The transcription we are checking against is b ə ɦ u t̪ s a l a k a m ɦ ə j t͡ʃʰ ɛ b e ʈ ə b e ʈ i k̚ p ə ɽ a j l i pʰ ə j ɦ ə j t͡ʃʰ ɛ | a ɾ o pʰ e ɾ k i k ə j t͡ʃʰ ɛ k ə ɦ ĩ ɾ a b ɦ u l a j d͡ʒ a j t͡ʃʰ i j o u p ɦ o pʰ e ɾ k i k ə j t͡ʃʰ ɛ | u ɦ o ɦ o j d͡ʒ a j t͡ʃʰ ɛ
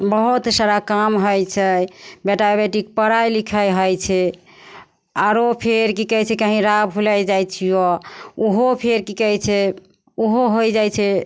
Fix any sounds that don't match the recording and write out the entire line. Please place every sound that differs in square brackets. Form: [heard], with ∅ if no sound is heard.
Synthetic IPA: b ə ɦ u t̪ s a [ɾ] a k a m ɦ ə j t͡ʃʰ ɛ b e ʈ [a] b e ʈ i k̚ p ə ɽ a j l i [kʰ] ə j ɦ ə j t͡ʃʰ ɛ | a ɾ o pʰ e ɾ k i k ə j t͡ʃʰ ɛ k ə ɦ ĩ ɾ a b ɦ u l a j d͡ʒ a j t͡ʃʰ i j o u [∅] ɦ o pʰ e ɾ k i k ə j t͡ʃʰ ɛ | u ɦ o ɦ o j d͡ʒ a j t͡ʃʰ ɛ